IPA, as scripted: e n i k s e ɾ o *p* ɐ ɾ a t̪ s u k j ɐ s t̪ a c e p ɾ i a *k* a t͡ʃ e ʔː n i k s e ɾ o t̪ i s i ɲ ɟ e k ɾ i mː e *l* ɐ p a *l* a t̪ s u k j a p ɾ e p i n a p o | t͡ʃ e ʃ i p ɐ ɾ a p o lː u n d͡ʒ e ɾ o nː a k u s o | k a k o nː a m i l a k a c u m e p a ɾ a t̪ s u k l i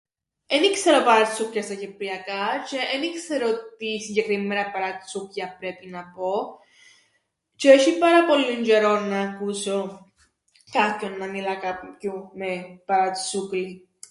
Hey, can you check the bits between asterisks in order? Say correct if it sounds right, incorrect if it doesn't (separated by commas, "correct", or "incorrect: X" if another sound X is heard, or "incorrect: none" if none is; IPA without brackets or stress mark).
correct, correct, incorrect: ɾ, incorrect: ɾ